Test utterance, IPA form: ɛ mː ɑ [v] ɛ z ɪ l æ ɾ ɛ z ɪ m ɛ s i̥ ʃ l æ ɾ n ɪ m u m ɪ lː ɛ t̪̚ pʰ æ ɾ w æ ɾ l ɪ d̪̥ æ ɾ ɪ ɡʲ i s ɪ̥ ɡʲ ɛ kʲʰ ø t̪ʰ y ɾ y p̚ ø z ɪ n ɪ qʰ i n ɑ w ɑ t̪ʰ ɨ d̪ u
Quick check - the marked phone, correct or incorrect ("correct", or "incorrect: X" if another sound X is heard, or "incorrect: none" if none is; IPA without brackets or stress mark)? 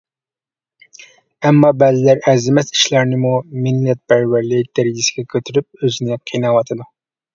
incorrect: b